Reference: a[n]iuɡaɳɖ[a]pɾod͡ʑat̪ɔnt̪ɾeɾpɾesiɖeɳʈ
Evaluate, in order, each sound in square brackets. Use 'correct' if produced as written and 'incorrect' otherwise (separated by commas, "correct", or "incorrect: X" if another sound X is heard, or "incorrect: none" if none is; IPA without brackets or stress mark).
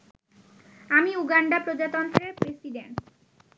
incorrect: m, correct